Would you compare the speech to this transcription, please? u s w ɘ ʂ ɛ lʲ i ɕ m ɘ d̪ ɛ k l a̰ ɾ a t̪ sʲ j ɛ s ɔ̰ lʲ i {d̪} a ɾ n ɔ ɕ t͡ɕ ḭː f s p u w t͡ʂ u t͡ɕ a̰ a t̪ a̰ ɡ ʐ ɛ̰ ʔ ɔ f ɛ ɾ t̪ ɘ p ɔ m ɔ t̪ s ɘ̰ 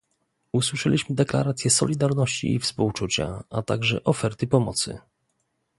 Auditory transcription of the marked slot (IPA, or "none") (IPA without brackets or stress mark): d̪